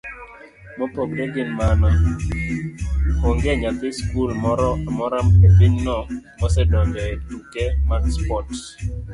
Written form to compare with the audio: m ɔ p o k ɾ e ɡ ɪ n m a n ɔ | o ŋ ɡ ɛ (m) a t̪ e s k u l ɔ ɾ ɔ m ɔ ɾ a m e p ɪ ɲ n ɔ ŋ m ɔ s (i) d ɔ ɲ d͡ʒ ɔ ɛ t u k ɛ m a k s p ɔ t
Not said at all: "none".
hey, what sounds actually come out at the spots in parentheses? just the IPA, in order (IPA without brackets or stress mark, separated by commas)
ɲ, ɛ